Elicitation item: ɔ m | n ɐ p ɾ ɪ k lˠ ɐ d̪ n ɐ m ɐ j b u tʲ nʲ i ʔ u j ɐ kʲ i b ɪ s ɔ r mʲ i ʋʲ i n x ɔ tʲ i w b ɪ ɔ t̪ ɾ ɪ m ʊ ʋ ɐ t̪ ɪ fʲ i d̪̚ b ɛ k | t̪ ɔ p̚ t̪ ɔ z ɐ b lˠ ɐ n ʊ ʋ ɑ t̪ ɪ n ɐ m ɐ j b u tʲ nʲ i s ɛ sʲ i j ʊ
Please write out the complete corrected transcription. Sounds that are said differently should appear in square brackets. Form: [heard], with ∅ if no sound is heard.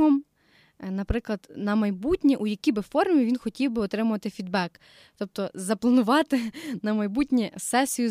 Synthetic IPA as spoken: ɔ m | n ɐ p ɾ ɪ k lˠ ɐ d̪ n ɐ m ɐ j b u tʲ nʲ i ʔ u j ɐ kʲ i b ɪ [f] ɔ r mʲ i ʋʲ i n x ɔ tʲ i w b ɪ ɔ t̪ ɾ ɪ m ʊ ʋ ɐ t̪ ɪ fʲ i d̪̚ b ɛ k | t̪ ɔ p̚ t̪ ɔ z ɐ [p] lˠ ɐ n ʊ ʋ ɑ t̪ ɪ n ɐ m ɐ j b u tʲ nʲ i s ɛ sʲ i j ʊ